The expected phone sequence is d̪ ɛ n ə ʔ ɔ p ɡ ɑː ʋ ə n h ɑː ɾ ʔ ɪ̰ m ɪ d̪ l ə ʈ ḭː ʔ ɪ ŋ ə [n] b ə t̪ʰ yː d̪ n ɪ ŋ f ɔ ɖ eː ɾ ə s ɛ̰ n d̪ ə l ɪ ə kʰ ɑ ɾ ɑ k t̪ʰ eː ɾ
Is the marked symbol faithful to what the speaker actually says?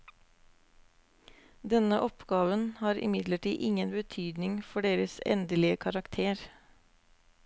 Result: yes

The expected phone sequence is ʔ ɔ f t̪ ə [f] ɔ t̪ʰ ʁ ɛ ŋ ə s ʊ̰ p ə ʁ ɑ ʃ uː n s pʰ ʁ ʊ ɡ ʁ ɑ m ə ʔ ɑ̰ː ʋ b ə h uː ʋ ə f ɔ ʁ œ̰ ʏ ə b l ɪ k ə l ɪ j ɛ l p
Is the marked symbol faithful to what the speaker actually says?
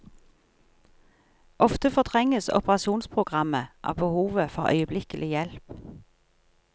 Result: yes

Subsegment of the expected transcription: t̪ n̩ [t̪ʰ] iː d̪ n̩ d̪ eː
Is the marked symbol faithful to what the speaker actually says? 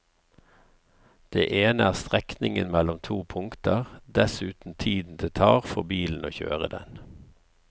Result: yes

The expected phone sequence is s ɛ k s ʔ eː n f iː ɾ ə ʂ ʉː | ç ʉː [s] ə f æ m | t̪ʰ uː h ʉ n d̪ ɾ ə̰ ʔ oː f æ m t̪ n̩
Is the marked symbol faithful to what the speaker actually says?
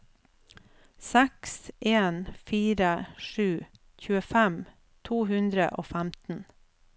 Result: no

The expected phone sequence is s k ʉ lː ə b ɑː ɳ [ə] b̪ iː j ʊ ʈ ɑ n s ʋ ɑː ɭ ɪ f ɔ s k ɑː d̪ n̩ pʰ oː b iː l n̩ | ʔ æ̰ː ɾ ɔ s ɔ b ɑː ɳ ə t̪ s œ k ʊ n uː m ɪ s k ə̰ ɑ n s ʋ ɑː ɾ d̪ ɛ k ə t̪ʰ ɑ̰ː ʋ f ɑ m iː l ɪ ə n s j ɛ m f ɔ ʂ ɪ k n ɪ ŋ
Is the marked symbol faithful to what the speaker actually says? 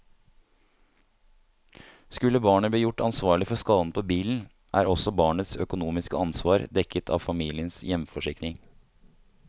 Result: yes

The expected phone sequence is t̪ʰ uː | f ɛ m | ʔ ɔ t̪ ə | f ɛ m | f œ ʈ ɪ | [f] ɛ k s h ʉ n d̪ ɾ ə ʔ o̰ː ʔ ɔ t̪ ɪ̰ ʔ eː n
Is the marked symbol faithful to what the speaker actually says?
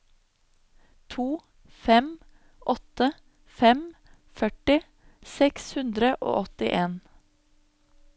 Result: no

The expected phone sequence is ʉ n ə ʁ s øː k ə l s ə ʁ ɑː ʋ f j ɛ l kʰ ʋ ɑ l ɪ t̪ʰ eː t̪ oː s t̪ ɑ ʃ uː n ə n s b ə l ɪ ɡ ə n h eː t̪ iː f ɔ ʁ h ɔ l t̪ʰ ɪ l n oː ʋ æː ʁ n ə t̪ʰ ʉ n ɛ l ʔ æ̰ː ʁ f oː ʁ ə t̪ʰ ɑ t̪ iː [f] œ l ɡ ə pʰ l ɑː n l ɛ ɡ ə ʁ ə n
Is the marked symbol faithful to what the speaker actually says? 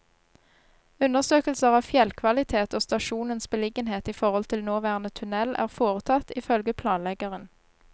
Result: yes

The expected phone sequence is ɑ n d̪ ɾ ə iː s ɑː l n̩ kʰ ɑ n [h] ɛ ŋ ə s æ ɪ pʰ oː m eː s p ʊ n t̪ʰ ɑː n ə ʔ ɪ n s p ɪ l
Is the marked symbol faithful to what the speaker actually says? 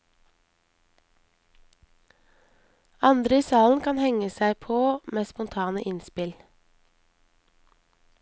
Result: yes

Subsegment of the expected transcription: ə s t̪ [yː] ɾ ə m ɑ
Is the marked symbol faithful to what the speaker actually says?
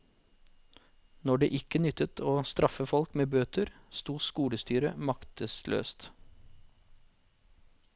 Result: yes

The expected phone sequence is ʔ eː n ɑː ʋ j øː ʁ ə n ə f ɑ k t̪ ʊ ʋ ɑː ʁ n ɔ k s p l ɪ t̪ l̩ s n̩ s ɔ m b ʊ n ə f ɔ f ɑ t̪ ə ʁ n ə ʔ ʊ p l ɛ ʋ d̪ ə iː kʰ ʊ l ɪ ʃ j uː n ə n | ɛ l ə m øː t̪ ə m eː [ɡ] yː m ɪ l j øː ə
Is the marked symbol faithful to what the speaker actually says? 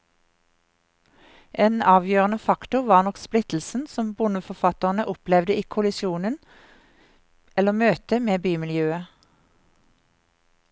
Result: no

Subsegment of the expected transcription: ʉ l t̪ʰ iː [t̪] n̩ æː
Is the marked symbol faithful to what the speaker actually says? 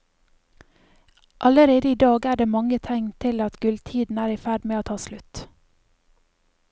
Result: no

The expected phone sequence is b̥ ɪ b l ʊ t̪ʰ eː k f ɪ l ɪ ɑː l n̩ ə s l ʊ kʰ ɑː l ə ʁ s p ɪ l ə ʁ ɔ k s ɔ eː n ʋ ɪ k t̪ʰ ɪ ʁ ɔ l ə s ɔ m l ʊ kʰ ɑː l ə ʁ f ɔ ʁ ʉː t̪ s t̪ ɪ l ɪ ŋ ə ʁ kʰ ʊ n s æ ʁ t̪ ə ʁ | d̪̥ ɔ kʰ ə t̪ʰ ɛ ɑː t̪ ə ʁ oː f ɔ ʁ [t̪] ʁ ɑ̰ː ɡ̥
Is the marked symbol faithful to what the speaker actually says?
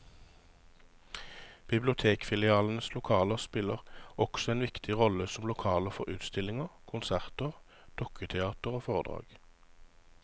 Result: no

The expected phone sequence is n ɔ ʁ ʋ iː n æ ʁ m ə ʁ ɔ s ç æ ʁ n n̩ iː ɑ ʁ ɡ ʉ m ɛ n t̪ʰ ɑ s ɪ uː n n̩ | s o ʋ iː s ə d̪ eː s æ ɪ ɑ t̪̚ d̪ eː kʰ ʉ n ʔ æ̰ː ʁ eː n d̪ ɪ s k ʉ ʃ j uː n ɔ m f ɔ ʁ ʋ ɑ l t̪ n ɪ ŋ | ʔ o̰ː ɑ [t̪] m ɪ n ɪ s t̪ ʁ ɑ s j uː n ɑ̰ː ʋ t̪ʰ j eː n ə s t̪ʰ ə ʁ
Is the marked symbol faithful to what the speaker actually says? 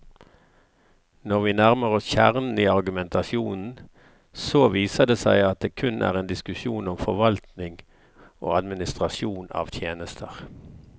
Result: no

